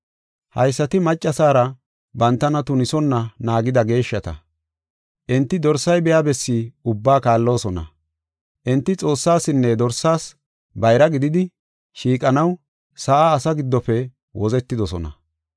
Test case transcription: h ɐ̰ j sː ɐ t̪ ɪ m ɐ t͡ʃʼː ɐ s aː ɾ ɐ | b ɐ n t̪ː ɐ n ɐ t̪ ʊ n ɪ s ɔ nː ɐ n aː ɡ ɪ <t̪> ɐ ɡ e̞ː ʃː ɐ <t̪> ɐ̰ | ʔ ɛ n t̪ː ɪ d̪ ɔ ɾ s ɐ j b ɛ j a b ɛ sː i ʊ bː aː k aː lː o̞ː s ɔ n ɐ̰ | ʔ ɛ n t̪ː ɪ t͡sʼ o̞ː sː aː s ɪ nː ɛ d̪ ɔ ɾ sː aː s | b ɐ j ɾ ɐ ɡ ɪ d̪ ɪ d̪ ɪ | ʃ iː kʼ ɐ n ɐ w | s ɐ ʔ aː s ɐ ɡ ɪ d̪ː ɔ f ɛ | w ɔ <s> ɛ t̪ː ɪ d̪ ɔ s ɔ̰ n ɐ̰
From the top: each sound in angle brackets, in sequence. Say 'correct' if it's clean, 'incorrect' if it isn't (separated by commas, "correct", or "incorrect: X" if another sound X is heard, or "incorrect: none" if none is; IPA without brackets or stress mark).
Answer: incorrect: d̪, correct, incorrect: z